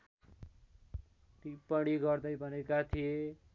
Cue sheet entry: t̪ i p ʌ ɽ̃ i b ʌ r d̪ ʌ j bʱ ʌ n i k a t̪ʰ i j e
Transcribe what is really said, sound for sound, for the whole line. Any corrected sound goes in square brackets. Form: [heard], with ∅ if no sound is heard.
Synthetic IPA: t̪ i p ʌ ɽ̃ i [ɡ] ʌ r d̪ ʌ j bʱ ʌ n [e] k a t̪ʰ i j e